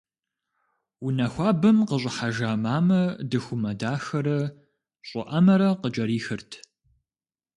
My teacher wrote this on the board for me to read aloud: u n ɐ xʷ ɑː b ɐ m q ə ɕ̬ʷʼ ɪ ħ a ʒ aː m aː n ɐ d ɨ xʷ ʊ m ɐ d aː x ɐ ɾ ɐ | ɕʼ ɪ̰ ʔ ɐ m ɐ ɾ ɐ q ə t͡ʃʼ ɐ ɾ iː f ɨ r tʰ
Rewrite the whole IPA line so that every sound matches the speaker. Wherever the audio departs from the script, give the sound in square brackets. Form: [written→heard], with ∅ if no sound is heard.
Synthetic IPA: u n ɐ xʷ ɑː b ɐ m q ə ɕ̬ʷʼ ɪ ħ a ʒ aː m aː [n→m] ɐ d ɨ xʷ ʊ m ɐ d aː x ɐ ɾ ɐ | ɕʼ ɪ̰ ʔ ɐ m ɐ ɾ ɐ q ə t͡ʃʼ ɐ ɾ iː [f→x] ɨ r tʰ

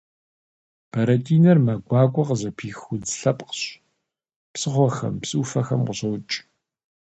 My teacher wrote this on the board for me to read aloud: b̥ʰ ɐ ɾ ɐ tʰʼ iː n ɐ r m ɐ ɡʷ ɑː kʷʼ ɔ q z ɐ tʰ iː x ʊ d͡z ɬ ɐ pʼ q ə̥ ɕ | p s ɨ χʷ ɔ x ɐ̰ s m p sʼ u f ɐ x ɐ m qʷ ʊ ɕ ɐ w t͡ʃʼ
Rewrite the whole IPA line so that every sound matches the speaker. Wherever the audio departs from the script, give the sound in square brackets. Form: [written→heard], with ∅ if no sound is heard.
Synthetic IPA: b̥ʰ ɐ ɾ ɐ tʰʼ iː n ɐ r m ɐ ɡʷ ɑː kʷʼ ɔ q z ɐ [tʰ→pʰ] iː x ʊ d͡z ɬ ɐ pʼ q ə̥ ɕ | p s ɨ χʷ ɔ x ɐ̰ [s→∅] m p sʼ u f ɐ x ɐ m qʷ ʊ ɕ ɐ w t͡ʃʼ

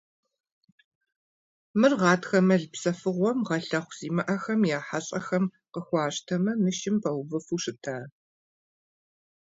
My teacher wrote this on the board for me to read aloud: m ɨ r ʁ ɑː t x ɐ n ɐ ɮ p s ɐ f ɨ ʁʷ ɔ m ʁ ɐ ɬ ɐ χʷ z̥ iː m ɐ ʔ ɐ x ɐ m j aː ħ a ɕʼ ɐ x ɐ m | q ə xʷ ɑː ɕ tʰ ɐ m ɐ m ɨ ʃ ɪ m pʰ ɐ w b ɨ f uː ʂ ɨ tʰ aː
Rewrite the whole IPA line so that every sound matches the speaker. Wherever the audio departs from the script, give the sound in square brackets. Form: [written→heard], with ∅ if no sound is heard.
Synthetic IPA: m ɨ r ʁ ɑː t x ɐ [n→m] ɐ ɮ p s ɐ f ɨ ʁʷ ɔ m ʁ ɐ ɬ ɐ χʷ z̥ iː m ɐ ʔ ɐ x ɐ m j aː ħ a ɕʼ ɐ x ɐ m | q ə xʷ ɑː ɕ tʰ ɐ m ɐ m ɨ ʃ ɪ m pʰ ɐ w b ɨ f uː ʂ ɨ tʰ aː

